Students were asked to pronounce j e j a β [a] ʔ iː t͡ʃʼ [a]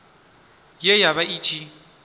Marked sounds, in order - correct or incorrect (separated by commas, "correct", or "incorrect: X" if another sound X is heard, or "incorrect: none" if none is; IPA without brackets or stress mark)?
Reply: correct, incorrect: i